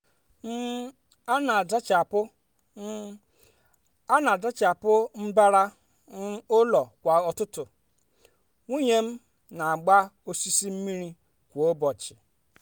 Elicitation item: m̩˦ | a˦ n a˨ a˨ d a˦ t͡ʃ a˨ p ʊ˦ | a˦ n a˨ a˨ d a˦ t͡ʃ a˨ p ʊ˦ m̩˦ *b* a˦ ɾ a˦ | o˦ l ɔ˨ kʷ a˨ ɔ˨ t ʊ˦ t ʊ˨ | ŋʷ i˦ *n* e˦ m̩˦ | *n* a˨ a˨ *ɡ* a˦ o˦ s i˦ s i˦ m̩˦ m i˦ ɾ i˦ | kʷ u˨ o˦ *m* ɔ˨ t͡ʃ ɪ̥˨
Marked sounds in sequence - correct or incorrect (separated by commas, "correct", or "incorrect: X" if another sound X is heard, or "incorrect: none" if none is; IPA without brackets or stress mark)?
correct, incorrect: ɲ, correct, incorrect: ɡ͡b, incorrect: b